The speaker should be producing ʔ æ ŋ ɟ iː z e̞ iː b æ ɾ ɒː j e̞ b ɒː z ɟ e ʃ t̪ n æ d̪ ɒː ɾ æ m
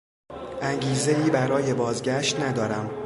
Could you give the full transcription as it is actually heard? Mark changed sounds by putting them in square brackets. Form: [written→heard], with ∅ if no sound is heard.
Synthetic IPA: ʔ æ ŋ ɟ iː z e̞ iː b æ ɾ ɒː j e̞ b ɒː z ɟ [e→æ] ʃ t̪ n æ d̪ ɒː ɾ æ m

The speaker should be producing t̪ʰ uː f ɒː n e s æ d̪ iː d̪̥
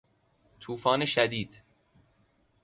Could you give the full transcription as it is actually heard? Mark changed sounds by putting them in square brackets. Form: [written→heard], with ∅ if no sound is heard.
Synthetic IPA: t̪ʰ uː f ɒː n e [s→ʃ] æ d̪ iː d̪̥

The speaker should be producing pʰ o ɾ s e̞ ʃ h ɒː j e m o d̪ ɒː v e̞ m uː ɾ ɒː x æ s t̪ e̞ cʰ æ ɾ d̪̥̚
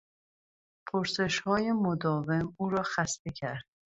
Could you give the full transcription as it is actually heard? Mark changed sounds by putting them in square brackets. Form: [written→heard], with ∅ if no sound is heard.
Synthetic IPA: pʰ o ɾ s e̞ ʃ h ɒː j e m o d̪ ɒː v e̞ m uː ɾ ɒː x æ s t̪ e̞ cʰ æ ɾ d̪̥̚

